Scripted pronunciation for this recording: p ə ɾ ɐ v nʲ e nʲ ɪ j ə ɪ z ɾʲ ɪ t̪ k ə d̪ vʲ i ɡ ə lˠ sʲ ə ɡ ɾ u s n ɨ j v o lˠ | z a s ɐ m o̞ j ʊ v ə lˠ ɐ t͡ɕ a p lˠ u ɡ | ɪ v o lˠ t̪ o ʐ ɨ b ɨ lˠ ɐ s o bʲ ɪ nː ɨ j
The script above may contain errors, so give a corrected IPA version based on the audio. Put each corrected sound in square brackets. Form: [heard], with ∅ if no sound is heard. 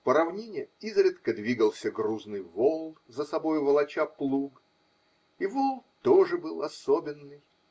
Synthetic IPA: p ə ɾ ɐ v nʲ e nʲ ɪ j ə [i] z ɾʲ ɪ t̪ k ə d̪ vʲ i ɡ ə lˠ sʲ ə ɡ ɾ u [z] n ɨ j v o lˠ | z [ə] s ɐ [b] o̞ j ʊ v ə lˠ ɐ t͡ɕ a p lˠ u ɡ | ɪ v o lˠ t̪ o ʐ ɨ b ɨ lˠ ɐ s o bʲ ɪ nː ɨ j